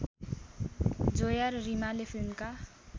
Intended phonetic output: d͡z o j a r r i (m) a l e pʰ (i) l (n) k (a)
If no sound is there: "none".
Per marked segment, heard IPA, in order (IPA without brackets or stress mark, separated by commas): m, i, m, a